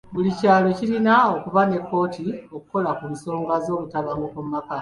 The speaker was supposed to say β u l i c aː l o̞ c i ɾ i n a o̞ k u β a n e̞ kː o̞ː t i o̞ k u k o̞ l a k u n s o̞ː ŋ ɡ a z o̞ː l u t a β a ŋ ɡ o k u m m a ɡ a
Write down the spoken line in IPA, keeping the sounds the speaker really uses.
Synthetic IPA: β u l i c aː l o̞ c i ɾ i n a o̞ k u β a n e̞ kː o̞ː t i o̞ k u k o̞ l a k u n s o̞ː ŋ ɡ a z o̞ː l u t a β a ŋ ɡ o k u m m a k a